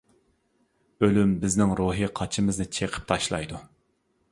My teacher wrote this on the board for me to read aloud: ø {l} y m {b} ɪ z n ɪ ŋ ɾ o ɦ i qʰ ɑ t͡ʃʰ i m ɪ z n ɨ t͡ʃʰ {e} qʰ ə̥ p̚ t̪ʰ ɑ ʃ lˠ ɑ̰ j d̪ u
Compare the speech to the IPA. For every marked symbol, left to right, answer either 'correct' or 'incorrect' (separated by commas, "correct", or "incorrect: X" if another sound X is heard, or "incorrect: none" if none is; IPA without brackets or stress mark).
correct, correct, correct